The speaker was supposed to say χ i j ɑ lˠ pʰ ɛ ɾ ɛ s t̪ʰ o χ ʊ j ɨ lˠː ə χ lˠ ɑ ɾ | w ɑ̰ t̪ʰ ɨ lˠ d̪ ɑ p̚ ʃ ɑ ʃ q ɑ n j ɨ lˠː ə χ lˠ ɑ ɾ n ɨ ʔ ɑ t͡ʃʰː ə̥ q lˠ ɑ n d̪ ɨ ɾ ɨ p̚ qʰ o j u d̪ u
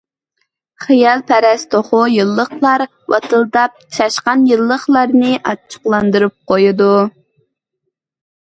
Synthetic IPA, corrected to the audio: χ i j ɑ lˠ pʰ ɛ ɾ ɛ s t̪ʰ o χ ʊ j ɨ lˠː ə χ lˠ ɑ ɾ | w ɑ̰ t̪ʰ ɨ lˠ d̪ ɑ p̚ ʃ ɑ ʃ q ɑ n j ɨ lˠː ə χ lˠ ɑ ɾ n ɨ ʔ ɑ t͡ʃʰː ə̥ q lˠ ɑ n d̪ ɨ ɾ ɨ p̚ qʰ o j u d̪ u